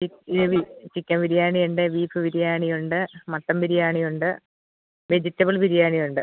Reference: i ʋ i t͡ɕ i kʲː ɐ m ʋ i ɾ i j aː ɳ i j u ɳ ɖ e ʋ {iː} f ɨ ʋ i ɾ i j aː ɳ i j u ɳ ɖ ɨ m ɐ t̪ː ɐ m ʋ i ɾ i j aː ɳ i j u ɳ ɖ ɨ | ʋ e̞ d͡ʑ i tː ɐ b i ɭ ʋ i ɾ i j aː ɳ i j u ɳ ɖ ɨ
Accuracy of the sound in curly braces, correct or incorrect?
correct